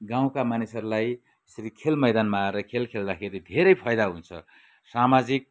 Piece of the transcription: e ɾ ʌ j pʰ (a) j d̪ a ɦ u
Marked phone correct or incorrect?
incorrect